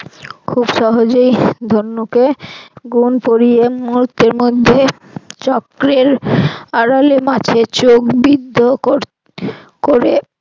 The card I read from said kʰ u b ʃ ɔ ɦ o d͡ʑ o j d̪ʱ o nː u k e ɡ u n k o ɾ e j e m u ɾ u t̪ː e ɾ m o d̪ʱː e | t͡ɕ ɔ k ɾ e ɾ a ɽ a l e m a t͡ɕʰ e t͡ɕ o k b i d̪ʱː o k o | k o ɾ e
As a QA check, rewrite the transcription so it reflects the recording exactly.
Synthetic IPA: kʰ u b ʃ ɔ ɦ o d͡ʑ o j d̪ʱ o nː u k e ɡ u n p o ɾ i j e m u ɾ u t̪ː e ɾ m o d̪ʱː e | t͡ɕ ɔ k ɾ e ɾ a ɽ a l e m a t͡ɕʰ e t͡ɕ o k b i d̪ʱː o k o | k o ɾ e